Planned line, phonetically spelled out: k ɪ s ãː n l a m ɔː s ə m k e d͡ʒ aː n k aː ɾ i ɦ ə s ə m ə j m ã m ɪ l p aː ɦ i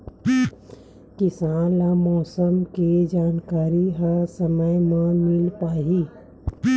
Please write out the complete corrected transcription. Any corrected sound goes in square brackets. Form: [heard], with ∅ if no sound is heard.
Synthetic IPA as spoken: k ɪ s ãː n l a m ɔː s ə m k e d͡ʒ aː n k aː ɾ i ɦ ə s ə m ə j m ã m ɪ l p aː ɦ i